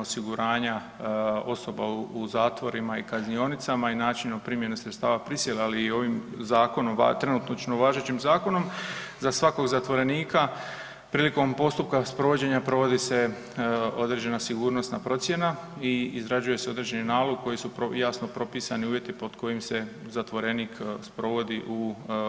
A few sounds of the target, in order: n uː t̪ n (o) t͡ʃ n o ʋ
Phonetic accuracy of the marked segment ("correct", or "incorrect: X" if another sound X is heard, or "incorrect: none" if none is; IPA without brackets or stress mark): correct